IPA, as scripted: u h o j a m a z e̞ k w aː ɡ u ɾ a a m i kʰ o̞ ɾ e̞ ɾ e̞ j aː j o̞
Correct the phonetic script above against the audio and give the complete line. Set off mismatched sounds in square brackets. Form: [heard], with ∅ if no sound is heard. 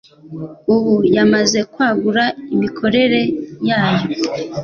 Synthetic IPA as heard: u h [u] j a m a z e̞ k w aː ɡ u ɾ a [i] m i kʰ o̞ ɾ e̞ ɾ e̞ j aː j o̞

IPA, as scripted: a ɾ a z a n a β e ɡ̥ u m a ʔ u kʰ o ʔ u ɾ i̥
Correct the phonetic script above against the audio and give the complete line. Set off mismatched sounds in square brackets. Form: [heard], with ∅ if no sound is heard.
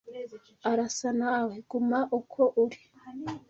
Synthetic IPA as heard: a ɾ a [s] a n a [w] e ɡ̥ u m a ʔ u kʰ o ʔ u ɾ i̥

